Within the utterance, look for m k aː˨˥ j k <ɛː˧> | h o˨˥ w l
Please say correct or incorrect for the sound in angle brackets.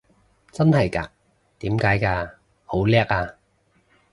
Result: incorrect